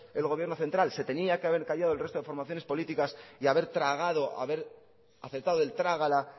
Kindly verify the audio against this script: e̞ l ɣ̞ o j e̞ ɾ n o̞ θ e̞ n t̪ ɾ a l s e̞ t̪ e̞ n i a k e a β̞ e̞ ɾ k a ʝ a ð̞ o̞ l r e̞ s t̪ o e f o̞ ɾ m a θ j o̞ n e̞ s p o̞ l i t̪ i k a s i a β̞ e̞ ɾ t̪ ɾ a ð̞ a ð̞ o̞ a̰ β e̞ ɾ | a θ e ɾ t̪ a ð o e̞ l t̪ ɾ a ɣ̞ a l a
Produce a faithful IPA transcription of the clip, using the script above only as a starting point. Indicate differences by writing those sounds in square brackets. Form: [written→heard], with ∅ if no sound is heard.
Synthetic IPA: e̞ l ɣ̞ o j e̞ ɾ n o̞ θ e̞ n t̪ ɾ a l s e̞ t̪ e̞ n i a k e a β̞ e̞ ɾ k a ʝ a ð̞ o̞ l r e̞ s t̪ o e f o̞ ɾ m a θ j o̞ n e̞ s p o̞ l i t̪ i k a s i a β̞ e̞ ɾ t̪ ɾ a [ð̞→ɣ̞] a ð̞ o̞ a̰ β e̞ ɾ | a θ e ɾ t̪ a ð o e̞ l t̪ ɾ a ɣ̞ a l a